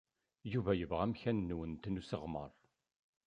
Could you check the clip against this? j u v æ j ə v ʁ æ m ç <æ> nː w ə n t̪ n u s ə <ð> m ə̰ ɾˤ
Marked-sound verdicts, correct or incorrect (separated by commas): correct, incorrect